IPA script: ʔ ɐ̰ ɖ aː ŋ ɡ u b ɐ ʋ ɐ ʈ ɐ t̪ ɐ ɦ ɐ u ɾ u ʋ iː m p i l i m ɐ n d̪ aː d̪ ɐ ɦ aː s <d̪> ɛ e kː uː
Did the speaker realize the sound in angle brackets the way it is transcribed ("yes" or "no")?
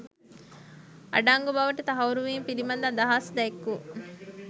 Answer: yes